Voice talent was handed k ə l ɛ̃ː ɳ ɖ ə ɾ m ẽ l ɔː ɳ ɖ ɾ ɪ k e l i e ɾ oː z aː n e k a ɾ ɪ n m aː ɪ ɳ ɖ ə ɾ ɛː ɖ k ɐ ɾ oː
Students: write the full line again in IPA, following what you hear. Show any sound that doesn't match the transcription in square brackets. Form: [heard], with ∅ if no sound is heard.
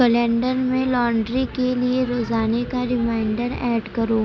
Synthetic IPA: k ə l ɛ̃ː ɳ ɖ ə ɾ m ẽ l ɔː ɳ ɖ ɾ [i] k e l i e ɾ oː z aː n e k a ɾ ɪ [∅] m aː ɪ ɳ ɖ ə ɾ ɛː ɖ k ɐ ɾ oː